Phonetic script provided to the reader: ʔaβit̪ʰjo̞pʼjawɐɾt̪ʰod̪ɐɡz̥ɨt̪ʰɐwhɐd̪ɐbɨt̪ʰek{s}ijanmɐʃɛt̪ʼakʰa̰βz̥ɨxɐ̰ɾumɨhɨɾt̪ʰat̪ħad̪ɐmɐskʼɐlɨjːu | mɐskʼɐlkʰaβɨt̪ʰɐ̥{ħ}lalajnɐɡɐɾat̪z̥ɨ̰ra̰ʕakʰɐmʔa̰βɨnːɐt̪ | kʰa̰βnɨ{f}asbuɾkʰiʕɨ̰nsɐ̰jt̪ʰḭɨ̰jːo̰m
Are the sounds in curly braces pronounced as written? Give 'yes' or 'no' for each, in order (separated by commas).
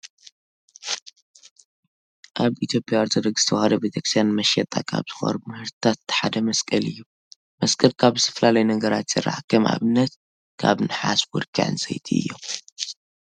yes, no, no